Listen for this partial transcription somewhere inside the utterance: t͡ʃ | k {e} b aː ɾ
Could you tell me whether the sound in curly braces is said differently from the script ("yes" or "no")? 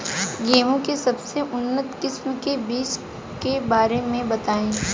no